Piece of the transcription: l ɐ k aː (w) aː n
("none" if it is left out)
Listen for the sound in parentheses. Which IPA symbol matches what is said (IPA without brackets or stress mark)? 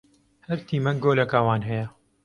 w